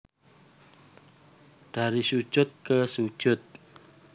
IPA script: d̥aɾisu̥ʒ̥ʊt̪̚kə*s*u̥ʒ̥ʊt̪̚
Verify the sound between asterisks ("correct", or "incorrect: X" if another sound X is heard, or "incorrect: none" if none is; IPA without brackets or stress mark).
correct